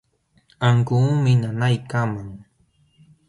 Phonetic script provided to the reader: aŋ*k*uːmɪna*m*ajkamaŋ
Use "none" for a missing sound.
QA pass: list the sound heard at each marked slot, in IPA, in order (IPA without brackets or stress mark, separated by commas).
k, n